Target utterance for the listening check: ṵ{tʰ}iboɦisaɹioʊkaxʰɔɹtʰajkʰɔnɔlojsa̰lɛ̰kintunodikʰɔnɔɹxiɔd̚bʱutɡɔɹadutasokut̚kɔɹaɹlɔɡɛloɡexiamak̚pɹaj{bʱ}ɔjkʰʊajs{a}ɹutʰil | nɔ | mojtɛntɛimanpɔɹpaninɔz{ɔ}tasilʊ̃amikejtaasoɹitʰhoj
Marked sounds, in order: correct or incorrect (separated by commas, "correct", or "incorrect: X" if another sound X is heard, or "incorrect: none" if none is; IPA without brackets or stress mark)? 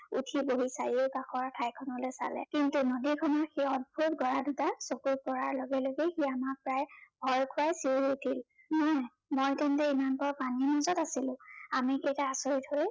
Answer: correct, correct, incorrect: i, correct